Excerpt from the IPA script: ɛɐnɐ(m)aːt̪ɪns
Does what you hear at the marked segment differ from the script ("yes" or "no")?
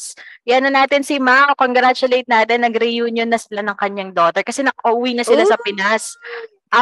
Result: yes